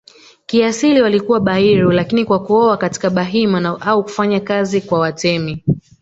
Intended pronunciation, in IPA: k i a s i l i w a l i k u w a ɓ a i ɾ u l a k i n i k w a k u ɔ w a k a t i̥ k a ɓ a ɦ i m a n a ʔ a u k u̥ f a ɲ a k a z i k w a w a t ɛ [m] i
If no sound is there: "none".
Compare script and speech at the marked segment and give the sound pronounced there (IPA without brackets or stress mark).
m